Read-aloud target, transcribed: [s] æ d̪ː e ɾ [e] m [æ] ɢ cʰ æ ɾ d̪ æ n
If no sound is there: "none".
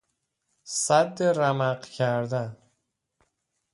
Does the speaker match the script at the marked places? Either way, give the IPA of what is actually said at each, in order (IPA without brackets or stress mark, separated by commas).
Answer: s, æ, æ